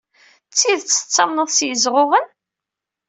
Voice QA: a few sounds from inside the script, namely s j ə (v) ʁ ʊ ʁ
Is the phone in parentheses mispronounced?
yes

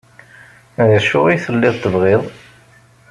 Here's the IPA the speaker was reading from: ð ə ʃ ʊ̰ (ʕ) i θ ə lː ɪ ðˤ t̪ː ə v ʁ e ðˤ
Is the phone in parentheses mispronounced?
yes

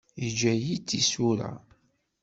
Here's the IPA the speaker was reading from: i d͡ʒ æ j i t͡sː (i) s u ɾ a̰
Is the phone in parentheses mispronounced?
no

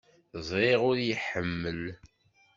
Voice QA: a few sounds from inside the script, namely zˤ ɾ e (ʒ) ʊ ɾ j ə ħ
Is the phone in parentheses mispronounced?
yes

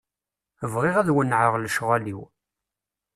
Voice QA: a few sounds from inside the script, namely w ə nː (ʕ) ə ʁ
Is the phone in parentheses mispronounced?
no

